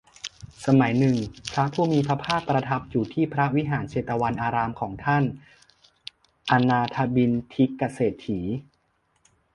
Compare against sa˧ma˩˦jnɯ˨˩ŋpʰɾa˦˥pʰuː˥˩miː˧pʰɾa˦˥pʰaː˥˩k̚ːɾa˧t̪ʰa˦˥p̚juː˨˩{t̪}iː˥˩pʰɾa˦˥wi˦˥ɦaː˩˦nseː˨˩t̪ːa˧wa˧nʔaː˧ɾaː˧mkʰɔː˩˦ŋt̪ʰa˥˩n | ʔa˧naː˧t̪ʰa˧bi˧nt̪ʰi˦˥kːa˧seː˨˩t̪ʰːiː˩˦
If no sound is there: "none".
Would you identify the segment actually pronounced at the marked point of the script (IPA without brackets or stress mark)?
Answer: t̪ʰ